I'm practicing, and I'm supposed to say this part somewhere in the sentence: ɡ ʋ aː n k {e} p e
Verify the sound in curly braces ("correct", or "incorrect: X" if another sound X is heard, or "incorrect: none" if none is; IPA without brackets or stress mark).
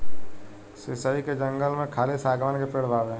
correct